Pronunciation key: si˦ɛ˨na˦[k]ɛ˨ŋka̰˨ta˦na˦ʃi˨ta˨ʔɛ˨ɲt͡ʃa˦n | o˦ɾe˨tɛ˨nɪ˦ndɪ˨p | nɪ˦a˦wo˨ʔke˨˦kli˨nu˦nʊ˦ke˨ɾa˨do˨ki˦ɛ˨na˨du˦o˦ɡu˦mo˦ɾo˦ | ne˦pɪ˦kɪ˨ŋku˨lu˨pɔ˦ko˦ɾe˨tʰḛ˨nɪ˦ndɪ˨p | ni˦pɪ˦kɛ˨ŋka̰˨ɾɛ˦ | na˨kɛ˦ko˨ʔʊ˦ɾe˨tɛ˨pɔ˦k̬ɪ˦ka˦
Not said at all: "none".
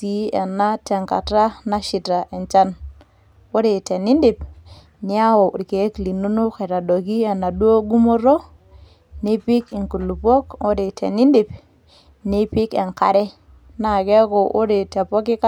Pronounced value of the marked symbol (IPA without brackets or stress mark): t